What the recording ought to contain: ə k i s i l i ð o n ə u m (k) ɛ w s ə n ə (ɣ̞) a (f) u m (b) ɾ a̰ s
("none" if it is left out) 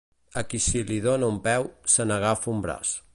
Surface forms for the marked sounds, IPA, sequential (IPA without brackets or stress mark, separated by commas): p, ɣ̞, f, b